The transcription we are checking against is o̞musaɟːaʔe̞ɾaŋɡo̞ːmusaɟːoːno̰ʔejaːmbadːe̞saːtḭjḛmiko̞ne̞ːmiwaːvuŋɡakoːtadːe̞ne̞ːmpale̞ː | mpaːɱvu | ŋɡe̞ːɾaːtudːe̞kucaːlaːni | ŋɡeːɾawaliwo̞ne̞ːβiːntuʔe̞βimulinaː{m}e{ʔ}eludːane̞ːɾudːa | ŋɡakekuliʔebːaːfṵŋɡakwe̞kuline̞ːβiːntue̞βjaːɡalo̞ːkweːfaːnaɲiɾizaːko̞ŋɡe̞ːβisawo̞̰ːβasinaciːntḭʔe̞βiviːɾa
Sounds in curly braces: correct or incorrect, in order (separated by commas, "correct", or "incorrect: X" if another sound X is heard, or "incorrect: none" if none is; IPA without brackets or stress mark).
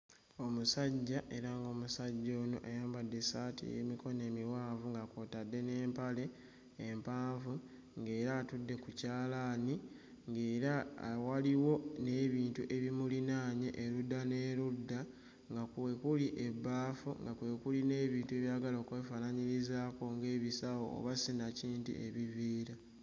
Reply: incorrect: ɲ, correct